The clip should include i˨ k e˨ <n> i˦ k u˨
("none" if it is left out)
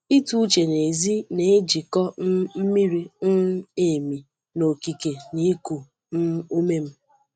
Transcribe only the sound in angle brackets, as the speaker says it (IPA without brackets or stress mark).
n